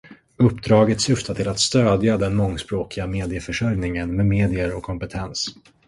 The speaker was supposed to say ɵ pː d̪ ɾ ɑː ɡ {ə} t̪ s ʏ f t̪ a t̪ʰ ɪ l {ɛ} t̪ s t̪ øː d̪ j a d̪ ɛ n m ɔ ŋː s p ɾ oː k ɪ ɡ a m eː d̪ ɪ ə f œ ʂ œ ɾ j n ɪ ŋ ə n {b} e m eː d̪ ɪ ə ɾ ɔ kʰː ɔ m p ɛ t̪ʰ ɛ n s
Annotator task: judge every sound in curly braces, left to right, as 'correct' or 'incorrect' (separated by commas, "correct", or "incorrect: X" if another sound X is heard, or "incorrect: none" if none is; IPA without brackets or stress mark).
correct, incorrect: a, incorrect: m